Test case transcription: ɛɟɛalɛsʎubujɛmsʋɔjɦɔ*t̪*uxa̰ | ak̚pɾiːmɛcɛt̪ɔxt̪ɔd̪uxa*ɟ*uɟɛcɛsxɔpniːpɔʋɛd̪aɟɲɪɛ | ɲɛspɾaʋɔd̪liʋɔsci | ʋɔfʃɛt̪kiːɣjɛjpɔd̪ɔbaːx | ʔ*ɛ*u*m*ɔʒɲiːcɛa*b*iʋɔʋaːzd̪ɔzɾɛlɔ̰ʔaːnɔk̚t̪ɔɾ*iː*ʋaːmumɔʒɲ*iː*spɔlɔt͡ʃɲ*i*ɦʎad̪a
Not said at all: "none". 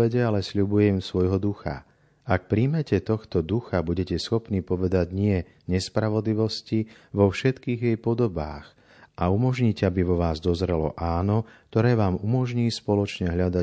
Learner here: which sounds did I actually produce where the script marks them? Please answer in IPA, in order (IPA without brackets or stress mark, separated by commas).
d̪, b, a, m, b, ɛː, iː, ɛ